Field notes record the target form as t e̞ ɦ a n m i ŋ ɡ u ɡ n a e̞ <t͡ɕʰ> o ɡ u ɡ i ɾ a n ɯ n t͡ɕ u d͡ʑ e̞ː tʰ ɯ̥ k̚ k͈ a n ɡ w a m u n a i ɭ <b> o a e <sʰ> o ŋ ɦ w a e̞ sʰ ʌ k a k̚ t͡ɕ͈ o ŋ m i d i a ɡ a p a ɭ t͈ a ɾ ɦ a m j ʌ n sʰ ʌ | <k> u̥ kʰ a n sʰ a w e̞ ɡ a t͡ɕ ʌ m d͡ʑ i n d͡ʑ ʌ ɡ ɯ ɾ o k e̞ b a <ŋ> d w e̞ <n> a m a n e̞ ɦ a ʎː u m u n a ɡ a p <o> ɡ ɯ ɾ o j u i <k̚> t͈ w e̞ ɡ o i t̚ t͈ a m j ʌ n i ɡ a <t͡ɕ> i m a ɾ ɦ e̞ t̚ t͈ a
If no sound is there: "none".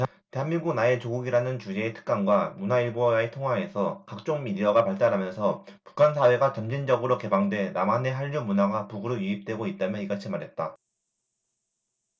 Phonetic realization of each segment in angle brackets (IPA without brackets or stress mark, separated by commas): t͡ɕ, b, tʰ, p, ŋ, n, u, p̚, t͡ɕʰ